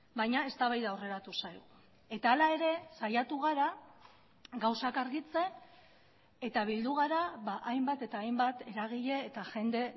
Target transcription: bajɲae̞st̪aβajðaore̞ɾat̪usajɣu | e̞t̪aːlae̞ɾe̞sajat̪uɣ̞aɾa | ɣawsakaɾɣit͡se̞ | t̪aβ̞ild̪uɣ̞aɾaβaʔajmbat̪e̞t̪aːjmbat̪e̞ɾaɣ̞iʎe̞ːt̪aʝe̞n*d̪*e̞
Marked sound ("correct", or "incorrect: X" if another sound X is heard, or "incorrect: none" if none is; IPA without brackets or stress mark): correct